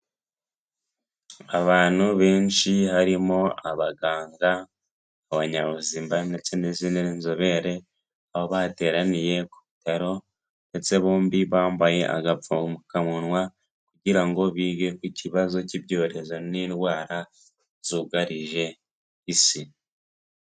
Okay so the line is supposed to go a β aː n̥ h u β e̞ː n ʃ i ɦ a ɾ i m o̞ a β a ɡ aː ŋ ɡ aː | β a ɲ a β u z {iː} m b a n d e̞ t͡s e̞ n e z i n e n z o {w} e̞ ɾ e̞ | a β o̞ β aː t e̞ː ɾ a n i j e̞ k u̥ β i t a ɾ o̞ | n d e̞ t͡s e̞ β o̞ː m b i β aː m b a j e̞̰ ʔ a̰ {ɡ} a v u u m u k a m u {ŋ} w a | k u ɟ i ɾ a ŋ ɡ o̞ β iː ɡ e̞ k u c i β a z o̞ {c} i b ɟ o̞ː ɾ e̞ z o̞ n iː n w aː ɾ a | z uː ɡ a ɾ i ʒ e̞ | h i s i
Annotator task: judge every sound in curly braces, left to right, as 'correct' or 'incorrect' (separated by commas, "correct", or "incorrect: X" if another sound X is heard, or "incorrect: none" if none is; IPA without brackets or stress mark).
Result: correct, incorrect: β, correct, incorrect: n, correct